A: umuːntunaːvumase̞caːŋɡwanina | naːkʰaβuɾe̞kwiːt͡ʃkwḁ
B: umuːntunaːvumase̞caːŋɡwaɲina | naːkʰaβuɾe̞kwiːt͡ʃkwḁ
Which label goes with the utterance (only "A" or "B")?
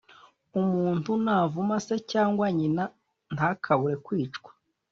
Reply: B